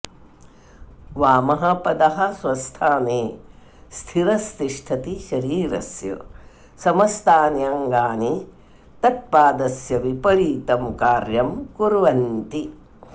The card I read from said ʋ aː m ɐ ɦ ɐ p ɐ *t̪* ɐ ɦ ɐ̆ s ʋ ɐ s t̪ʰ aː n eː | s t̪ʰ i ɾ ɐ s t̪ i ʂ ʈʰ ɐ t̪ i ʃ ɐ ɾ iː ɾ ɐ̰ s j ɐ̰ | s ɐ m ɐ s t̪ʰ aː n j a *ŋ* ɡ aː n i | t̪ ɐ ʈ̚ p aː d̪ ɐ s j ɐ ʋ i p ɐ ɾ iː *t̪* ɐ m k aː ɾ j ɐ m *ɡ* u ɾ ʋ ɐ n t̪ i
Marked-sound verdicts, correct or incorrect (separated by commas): incorrect, correct, correct, incorrect